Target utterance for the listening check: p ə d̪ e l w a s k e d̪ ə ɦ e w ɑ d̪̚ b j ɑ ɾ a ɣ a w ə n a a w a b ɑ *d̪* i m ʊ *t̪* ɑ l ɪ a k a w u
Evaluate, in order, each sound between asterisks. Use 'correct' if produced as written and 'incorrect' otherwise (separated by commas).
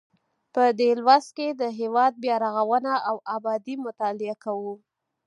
correct, correct